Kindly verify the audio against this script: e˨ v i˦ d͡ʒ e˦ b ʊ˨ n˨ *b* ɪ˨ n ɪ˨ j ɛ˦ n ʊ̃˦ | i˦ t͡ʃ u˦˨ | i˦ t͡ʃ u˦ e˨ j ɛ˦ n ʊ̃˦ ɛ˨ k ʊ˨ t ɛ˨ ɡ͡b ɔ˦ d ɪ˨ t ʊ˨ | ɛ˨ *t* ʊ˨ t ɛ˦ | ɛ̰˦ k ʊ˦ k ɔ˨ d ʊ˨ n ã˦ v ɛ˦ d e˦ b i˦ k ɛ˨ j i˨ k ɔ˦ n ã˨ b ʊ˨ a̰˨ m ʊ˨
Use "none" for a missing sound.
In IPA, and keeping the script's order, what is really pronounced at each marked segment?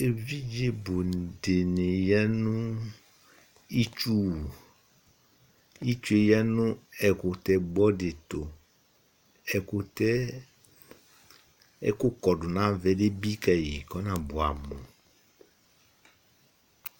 d, k

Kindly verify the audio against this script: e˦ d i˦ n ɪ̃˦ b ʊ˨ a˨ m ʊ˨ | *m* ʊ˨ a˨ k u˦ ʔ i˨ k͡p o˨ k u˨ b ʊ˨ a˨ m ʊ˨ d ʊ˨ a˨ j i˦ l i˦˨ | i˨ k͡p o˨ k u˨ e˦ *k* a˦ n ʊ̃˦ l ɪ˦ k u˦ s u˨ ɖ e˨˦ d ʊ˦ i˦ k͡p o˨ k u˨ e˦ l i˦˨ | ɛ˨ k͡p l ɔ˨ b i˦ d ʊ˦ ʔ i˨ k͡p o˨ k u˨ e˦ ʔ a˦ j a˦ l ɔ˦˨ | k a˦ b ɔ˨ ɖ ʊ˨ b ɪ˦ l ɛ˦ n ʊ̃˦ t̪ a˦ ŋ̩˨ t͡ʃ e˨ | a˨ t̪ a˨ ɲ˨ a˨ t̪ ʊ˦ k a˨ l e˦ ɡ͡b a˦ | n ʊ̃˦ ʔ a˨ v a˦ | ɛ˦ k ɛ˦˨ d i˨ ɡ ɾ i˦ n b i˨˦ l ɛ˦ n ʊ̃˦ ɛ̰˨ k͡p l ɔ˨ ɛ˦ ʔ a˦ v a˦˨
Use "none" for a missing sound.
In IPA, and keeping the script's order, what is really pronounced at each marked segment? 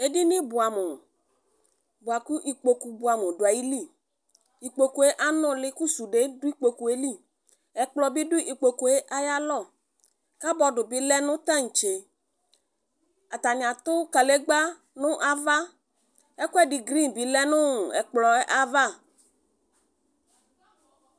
b, ʔ

